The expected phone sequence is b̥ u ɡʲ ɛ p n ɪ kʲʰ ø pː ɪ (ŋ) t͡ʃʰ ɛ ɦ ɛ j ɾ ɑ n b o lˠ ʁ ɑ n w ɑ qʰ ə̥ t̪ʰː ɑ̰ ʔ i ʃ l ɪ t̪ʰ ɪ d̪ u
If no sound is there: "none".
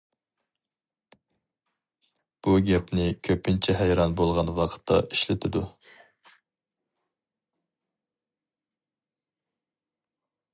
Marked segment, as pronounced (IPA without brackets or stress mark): n